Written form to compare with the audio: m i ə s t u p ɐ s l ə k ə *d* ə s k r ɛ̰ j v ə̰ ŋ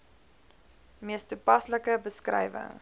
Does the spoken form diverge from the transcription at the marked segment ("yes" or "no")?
yes